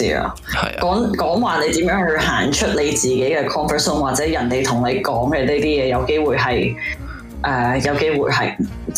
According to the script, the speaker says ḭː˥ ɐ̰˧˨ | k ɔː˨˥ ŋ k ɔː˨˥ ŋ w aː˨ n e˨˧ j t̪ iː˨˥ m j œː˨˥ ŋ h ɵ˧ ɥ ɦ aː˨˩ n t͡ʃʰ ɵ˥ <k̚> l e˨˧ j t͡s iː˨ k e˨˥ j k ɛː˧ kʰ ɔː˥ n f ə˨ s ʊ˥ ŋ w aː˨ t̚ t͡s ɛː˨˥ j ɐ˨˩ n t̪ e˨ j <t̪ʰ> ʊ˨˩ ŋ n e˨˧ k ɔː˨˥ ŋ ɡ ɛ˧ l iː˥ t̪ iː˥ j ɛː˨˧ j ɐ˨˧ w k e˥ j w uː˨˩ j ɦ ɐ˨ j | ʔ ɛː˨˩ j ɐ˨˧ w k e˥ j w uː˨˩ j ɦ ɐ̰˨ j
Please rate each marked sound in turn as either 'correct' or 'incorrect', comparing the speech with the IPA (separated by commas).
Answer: incorrect, correct